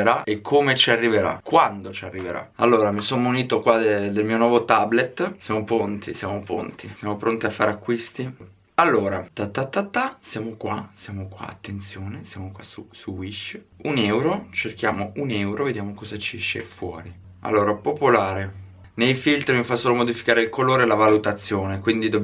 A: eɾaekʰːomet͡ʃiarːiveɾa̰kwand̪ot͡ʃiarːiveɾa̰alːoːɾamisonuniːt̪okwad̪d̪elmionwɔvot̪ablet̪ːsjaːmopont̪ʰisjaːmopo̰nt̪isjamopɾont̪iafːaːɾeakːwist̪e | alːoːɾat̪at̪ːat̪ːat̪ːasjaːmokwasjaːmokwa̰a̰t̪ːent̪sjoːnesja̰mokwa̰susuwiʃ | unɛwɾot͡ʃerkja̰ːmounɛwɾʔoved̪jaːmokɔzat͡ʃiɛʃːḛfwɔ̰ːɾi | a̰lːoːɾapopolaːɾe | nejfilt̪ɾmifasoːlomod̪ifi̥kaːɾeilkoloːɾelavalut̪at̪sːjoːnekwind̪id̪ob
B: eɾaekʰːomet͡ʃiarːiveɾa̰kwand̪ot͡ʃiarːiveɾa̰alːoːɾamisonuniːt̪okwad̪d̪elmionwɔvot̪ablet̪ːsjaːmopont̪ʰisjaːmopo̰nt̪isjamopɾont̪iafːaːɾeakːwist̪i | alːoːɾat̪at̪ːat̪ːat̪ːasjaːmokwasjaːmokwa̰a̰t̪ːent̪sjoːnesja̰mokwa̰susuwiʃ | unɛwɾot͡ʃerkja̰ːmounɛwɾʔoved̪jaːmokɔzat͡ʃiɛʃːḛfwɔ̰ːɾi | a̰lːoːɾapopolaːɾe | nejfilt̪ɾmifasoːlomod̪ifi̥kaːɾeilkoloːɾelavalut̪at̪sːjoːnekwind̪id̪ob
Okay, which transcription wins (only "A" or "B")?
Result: B